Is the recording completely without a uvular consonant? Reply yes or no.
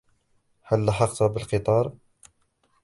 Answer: no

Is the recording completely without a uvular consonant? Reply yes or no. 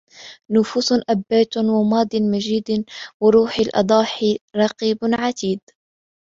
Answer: no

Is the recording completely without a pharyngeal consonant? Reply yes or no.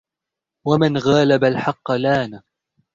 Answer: no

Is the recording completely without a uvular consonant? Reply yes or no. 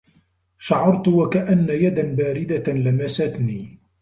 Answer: yes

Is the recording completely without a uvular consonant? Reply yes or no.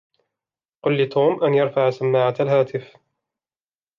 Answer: no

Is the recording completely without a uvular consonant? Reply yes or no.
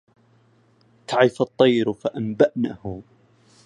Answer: yes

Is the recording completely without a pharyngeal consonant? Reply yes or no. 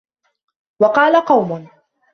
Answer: yes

